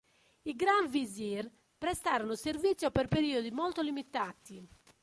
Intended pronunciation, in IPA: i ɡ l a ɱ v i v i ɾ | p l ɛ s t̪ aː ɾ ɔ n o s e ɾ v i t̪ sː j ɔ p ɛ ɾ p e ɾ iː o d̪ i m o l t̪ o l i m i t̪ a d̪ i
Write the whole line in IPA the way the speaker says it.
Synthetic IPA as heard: i ɡ ɾ a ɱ v i z i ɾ | p ɾ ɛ s t̪ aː ɾ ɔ n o s e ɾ v i t̪ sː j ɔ p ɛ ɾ p e ɾ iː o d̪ i m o l t̪ o l i m i t̪ a t̪ i